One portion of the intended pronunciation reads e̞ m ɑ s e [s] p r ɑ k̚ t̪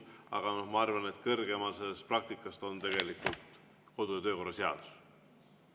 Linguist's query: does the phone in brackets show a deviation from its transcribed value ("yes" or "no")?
no